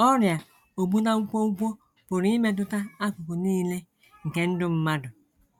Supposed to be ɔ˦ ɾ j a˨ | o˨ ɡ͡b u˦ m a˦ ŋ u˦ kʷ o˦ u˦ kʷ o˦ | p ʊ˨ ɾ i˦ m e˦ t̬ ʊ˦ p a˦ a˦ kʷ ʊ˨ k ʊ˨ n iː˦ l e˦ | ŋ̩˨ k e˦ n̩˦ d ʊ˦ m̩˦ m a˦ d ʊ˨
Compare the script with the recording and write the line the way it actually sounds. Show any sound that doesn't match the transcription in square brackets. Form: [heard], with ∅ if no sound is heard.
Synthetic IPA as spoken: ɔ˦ ɾ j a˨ | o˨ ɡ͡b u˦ [n] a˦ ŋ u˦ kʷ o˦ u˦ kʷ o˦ | p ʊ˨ ɾ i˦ m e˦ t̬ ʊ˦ [t] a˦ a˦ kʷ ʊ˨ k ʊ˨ n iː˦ l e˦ | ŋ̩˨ k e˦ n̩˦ d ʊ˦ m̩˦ m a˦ d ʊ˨